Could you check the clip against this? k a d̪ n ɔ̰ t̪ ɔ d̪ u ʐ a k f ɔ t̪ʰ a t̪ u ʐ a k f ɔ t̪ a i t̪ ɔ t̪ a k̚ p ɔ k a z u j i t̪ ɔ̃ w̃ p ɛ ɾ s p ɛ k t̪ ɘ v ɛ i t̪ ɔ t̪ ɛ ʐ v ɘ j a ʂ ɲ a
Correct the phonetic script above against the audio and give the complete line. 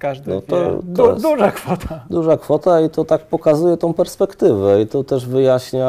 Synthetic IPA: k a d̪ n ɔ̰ t̪ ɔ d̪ u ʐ a k f ɔ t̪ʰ a d̪ u ʐ a k f ɔ t̪ a i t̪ ɔ t̪ a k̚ p ɔ k a z u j ɛ t̪ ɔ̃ w̃ p ɛ ɾ s p ɛ k t̪ ɘ v ɛ i t̪ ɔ t̪ ɛ ʐ v ɘ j a ɕ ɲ a